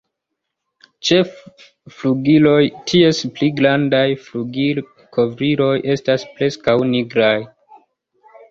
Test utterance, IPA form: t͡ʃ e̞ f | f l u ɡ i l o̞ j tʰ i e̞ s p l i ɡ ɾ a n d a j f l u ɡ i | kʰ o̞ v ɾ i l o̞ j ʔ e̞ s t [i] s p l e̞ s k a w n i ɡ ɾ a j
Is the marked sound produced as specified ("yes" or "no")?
no